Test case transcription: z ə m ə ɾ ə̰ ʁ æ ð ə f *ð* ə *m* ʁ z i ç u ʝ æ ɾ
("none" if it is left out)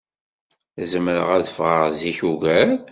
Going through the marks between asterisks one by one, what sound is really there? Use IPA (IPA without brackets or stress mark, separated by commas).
ʁ, none